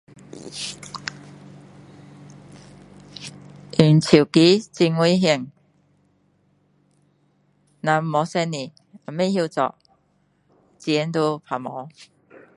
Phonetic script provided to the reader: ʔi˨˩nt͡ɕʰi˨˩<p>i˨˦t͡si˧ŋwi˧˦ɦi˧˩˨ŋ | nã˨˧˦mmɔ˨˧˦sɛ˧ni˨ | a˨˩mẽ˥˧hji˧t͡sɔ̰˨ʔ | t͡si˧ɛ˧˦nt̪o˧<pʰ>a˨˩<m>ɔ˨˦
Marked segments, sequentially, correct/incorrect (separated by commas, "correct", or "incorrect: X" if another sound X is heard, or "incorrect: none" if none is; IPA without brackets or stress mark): incorrect: k, correct, correct